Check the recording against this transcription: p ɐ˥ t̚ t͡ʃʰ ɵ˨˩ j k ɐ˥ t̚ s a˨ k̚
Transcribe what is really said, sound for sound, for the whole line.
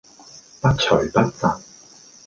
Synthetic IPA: p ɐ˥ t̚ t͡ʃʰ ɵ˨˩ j p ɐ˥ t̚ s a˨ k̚

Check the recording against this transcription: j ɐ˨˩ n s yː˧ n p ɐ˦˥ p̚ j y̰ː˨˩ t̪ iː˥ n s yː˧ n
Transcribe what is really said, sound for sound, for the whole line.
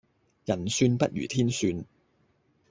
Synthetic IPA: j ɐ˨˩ n s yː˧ n p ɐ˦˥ t̚ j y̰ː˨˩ t̪ʰ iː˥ n s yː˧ n

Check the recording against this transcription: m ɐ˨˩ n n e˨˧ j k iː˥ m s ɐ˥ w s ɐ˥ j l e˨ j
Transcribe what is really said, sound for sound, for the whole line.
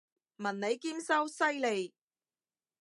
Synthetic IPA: m ɐ˨˩ n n e˨˧ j k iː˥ m s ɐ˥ w s ɐ˥ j l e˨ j

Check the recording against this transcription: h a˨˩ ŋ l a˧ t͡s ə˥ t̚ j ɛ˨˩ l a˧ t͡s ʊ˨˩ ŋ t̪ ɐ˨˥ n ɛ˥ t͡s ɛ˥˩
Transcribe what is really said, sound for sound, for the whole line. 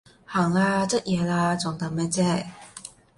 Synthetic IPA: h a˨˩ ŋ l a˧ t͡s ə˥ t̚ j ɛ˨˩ l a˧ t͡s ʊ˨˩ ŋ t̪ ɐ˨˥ m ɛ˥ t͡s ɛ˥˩

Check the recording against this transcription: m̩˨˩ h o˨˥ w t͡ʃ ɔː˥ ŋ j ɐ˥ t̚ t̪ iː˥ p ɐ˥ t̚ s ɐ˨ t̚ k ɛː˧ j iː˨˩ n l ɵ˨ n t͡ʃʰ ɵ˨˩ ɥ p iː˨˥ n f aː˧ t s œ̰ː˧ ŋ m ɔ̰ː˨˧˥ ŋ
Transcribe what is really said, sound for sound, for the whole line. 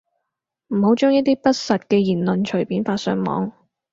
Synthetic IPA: m̩˨˩ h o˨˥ w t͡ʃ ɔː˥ ŋ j ɐ˥ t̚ t̪ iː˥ p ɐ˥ t̚ s ɐ˨ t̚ k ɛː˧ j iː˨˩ n l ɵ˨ n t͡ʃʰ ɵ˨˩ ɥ p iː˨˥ n f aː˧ t s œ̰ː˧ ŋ m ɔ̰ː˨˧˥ ŋ

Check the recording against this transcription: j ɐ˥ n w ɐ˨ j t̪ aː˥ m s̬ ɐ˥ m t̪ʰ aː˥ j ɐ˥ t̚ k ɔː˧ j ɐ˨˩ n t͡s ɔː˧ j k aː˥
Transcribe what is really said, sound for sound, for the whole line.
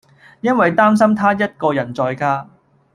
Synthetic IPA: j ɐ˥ n w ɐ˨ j t̪ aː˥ m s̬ ɐ˥ m t̪ʰ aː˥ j ɐ˥ t̚ k ɔː˧ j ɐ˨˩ n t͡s ɔː˧ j k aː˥

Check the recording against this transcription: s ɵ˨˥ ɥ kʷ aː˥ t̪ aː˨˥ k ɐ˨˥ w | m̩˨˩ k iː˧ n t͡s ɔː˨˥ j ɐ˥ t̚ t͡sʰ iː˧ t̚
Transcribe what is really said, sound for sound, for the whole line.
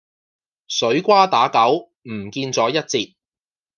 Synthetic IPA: s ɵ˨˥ ɥ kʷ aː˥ t̪ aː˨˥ k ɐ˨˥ w | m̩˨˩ k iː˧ n t͡s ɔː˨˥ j ɐ˥ t̚ t͡s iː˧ t̚

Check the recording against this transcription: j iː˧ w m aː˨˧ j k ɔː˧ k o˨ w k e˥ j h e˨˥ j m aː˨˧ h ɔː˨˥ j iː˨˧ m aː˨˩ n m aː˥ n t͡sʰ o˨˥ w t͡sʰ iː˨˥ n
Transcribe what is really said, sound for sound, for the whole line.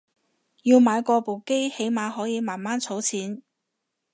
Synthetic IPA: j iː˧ w m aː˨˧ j k ɔː˧ p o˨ w k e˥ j h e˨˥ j m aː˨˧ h ɔː˨˥ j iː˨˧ m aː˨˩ n m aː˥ n t͡sʰ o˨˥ w t͡sʰ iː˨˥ n

